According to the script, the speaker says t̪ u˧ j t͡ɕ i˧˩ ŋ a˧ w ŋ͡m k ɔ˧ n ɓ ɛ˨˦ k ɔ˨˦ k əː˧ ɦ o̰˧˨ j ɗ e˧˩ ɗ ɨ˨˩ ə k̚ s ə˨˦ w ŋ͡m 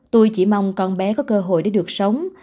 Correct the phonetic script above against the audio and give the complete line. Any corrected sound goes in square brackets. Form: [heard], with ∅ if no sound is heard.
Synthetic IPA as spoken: t̪ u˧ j t͡ɕ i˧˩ [m] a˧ w ŋ͡m k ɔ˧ n ɓ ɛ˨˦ k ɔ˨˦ k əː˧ ɦ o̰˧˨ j ɗ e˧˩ ɗ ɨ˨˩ ə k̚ s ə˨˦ w ŋ͡m